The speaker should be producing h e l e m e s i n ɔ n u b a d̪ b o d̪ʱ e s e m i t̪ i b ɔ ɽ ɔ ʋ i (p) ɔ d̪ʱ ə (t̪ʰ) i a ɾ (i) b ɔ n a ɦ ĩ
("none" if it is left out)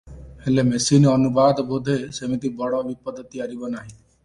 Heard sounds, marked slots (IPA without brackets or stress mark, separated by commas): p, t̪, i